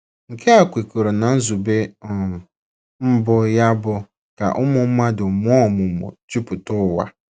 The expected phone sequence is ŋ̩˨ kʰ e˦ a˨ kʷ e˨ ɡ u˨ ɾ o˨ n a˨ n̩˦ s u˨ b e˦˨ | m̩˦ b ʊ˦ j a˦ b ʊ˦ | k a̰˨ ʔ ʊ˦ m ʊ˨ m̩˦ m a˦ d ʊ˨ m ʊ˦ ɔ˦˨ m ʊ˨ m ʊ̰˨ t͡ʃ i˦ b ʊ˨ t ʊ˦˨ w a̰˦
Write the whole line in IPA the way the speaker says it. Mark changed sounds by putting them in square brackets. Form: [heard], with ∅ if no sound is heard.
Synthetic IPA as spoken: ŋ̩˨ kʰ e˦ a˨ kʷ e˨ [k] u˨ ɾ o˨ n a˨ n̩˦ [z] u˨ b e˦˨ | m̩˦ b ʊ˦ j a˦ b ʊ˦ | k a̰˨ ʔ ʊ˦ m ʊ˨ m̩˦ m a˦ d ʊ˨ m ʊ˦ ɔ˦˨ m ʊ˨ m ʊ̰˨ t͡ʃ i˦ [p] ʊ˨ t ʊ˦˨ w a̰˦